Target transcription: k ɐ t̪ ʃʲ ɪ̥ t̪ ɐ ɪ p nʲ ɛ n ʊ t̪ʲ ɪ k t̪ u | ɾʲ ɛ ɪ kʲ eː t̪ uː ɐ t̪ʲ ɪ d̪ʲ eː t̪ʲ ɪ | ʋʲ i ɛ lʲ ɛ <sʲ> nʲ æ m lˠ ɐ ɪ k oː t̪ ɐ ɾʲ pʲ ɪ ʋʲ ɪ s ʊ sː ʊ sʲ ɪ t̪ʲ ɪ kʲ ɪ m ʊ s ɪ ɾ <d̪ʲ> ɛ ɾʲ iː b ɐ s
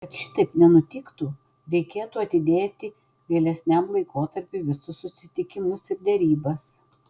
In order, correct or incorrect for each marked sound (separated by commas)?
correct, correct